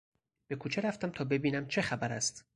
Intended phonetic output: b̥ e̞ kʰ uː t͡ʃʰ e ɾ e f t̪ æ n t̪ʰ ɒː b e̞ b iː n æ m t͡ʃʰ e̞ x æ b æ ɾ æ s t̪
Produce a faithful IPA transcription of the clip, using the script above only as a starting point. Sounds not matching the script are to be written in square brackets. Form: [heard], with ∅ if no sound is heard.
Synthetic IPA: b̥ e̞ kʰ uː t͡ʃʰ e ɾ [æ] f t̪ æ [m] t̪ʰ ɒː b e̞ b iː n æ m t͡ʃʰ e̞ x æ b æ ɾ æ s t̪